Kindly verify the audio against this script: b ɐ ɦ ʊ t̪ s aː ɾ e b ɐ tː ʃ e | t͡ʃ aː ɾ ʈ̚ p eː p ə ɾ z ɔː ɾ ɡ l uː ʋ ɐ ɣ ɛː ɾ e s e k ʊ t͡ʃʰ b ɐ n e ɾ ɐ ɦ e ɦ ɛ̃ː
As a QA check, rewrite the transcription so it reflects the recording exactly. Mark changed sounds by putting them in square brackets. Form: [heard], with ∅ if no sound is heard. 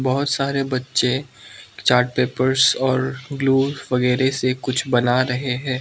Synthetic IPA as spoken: b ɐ ɦ ʊ t̪ s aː ɾ e b ɐ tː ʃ e | t͡ʃ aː ɾ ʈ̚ p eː p ə ɾ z ɔː ɾ ɡ l uː ʋ ɐ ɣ ɛː ɾ e s e k ʊ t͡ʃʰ b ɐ n [a] ɾ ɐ ɦ e ɦ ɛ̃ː